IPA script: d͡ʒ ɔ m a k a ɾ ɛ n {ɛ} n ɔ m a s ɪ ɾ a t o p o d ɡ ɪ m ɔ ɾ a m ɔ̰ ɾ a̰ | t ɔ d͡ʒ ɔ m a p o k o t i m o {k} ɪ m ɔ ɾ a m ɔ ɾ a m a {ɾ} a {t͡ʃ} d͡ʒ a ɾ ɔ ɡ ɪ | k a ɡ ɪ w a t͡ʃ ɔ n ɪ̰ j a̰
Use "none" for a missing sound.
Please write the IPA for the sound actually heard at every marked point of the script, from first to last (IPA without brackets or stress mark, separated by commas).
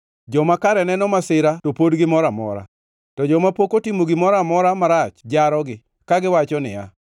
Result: ɛ, ɡ, ɾ, t͡ʃ